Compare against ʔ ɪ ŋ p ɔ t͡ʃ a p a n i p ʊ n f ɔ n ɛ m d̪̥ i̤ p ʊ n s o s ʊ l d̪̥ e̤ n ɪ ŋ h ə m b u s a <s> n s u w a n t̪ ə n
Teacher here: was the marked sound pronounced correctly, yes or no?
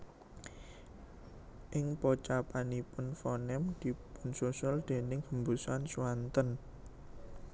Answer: no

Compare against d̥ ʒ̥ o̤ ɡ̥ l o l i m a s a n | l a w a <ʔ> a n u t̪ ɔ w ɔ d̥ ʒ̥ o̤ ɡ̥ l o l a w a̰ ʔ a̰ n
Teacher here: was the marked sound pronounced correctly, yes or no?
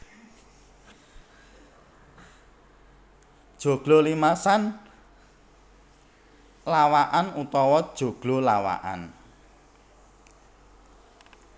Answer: yes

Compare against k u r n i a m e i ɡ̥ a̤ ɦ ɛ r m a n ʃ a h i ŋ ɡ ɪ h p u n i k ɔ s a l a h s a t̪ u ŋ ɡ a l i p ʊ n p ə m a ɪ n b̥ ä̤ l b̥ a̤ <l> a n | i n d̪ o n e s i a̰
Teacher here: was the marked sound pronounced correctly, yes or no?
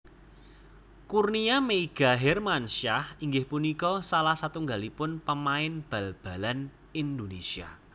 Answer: yes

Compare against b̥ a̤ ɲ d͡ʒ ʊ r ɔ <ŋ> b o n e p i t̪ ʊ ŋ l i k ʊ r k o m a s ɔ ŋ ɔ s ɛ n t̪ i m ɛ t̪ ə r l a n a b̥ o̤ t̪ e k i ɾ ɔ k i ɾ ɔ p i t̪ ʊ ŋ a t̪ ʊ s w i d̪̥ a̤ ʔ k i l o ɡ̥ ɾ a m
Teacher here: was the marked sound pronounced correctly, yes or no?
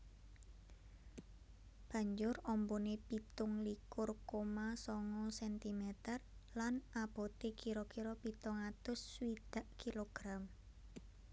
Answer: no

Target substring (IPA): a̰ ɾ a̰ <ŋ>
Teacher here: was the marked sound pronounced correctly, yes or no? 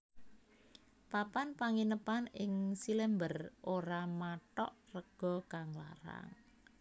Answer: yes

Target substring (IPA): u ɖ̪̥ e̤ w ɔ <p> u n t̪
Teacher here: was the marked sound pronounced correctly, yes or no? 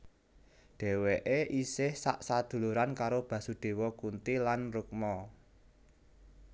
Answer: no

